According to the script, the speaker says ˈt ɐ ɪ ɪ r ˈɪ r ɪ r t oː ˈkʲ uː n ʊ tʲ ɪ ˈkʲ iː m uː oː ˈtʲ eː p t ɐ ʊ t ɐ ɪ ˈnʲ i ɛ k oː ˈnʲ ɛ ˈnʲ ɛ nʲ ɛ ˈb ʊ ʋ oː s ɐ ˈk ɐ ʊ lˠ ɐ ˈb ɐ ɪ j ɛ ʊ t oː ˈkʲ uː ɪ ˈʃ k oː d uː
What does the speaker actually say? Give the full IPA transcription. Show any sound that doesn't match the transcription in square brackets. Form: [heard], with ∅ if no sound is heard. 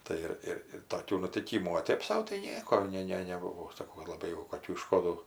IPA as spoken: ˈt ɐ ɪ ɪ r ˈɪ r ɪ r t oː ˈkʲ uː n ʊ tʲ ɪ ˈkʲ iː m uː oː ˈtʲ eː p [s] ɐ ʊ t ɐ ɪ ˈnʲ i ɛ k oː ˈnʲ ɛ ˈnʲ ɛ nʲ ɛ ˈb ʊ ʋ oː s ɐ ˈk ɐ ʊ lˠ ɐ ˈb ɐ ɪ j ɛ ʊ [k] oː ˈkʲ uː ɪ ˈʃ k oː d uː